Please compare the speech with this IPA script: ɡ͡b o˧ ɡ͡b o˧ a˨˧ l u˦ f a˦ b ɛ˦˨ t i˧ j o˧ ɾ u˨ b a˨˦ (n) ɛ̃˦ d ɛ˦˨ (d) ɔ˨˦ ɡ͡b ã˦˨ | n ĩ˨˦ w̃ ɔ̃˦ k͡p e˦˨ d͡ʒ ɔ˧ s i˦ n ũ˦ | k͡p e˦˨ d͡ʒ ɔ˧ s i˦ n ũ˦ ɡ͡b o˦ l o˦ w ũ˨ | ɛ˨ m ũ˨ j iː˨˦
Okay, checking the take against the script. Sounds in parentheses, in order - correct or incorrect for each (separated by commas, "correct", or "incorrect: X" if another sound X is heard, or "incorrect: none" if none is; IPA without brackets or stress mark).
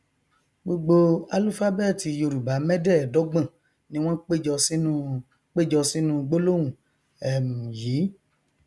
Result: incorrect: m, correct